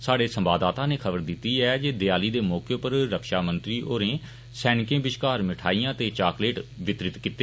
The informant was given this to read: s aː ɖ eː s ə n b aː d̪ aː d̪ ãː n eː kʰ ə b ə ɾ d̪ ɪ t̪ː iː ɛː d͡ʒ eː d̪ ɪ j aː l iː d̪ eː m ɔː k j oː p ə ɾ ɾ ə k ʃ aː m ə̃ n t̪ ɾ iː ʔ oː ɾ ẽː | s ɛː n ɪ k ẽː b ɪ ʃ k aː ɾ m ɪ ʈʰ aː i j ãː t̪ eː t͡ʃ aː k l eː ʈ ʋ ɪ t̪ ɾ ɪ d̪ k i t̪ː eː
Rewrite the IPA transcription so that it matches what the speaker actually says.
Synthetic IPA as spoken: s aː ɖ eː s ə m b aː d̪ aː t̪ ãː n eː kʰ ə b ə ɾ d̪ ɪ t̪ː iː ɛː d͡ʒ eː d̪ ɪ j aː l iː d̪ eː m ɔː k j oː p ə ɾ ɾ ə k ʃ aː m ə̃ n t̪ ɾ iː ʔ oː ɾ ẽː | s ɛː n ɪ k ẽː b ɪ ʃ k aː ɾ m ɪ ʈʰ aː i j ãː t̪ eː t͡ʃ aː k l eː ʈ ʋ ɪ t̪ ɾ ɪ t̪ k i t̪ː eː

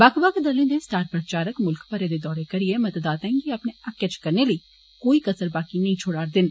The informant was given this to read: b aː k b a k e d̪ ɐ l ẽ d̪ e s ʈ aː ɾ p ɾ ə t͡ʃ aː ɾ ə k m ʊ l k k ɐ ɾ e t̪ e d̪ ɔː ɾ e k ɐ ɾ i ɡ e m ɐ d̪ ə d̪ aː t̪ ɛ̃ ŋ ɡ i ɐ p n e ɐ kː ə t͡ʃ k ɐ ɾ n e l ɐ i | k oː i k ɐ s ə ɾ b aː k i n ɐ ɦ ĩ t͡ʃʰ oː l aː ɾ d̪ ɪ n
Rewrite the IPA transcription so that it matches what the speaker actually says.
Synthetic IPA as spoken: b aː k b a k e d̪ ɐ l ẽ d̪ e s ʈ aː ɾ p ɾ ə t͡ʃ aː ɾ ə k m ʊ l k p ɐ ɾ e d̪ e d̪ ɔː ɾ e k ɐ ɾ i e m ɐ t̪ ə d̪ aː t̪ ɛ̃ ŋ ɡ i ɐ p n e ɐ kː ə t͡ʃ k ɐ ɾ n e l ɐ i | k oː i k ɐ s ə ɾ b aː k i n ɐ ɦ ĩ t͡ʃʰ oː ɽ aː ɾ d̪ ɪ n

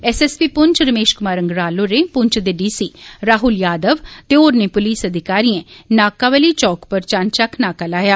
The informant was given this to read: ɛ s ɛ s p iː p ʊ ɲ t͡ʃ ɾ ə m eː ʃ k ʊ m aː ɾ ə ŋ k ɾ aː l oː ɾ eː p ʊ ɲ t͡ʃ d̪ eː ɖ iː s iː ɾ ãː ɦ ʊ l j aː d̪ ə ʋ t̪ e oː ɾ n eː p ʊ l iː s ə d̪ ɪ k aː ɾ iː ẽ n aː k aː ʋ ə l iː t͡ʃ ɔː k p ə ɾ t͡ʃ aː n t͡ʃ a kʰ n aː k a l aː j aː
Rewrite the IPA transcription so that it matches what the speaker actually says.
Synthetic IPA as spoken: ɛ s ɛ s p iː p ʊ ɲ t͡ʃ ɾ ə m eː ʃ k ʊ m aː ɾ ə ŋ ɡ ɾ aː l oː ɾ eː p ʊ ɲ t͡ʃ d̪ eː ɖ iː s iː ɾ aː ɦ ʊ l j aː d̪ ə ʋ t̪ e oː ɾ n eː p ʊ l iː s ə d̪ ɪ k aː ɾ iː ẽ n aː k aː ʋ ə l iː t͡ʃ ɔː k p ə ɾ t͡ʃ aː n t͡ʃ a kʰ n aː k a l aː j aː

